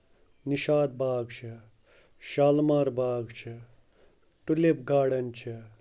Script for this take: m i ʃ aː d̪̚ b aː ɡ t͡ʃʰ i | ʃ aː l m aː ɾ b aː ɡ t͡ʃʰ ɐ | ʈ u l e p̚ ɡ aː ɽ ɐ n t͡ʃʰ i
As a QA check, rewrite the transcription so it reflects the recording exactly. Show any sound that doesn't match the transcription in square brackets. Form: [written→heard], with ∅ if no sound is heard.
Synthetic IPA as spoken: [m→n] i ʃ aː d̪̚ b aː ɡ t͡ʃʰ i | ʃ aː l m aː ɾ b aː ɡ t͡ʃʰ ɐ | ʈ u l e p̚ ɡ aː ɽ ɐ n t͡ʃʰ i